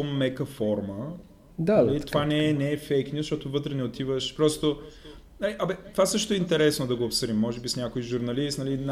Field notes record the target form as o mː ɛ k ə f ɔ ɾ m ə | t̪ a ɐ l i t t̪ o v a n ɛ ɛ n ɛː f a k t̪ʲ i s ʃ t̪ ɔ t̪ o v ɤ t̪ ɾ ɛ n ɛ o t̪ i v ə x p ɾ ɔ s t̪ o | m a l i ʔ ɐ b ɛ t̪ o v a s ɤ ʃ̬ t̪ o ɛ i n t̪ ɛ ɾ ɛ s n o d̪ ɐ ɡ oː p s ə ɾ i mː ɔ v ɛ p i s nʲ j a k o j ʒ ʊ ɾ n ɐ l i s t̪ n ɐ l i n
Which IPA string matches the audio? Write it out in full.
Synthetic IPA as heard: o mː ɛ k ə f ɔ ɾ m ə | d̪ a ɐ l i t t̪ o v a n ɛ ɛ n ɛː f ɛ k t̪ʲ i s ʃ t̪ ɔ t̪ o v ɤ t̪ ɾ ɛ n ɛ o t̪ i v ə ʃ p ɾ ɔ s t̪ o | n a l i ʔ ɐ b ɛ t̪ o v a s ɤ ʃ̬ t̪ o ɛ i n t̪ ɛ ɾ ɛ s n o d̪ ɐ ɡ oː p s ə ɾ i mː ɔ ʒ ɛ b i s nʲ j a k o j ʒ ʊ ɾ n ɐ l i s t̪ n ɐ l i n